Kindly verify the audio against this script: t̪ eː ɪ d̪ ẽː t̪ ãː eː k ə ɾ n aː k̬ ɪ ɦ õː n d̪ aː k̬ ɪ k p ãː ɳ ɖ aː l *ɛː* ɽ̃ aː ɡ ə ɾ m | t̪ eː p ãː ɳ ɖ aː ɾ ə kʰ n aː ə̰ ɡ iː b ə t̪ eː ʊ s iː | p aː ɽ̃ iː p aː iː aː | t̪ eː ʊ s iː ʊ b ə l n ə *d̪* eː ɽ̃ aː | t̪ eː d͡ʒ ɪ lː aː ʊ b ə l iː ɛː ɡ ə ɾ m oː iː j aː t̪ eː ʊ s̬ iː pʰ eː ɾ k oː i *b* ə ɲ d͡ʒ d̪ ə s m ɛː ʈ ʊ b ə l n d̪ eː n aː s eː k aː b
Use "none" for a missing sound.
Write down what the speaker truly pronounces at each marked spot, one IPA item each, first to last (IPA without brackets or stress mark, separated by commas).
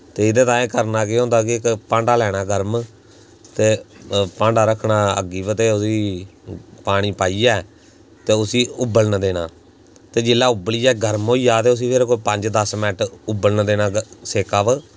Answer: ɛː, d̪, p